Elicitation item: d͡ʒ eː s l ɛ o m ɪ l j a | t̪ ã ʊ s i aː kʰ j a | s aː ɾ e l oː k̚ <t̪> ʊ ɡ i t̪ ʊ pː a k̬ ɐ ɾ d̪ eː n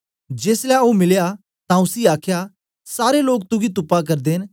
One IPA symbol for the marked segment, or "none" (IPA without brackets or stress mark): t̪